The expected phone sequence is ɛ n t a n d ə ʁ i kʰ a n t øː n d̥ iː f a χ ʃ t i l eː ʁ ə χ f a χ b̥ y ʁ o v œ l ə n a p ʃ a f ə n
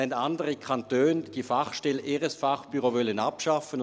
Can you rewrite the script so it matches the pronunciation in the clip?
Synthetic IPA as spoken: ɛ n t a n d ə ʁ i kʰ a n t øː n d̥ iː f a χ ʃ t ɛ l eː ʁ ə s f a χ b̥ y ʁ o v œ l ə n a p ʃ a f ə n